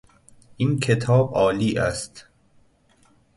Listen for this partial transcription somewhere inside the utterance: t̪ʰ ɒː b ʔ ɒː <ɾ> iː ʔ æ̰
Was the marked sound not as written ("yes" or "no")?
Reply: yes